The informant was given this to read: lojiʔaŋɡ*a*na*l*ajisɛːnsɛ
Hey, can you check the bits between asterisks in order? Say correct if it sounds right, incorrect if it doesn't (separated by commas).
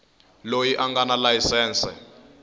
correct, correct